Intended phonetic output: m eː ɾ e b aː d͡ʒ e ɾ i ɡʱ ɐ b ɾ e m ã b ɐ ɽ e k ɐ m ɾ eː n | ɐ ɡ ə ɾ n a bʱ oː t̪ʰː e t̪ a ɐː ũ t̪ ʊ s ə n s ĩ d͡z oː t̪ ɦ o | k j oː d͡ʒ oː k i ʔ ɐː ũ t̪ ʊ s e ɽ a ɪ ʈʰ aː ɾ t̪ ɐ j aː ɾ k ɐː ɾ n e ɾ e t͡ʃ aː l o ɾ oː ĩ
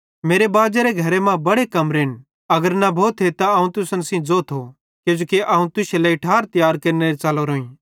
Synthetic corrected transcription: m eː ɾ e b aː d͡ʒ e ɾ e ɡʱ ɐ ɾ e m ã b ɐ ɽ e k ɐ m ɾ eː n | ɐ ɡ ə ɾ n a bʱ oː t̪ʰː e t̪ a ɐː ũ t̪ ʊ s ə n s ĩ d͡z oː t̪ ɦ o | k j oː d͡ʒ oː k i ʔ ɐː ũ t̪ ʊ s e l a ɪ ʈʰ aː ɾ t̪ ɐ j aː ɾ k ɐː ɾ n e ɾ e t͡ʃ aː l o ɾ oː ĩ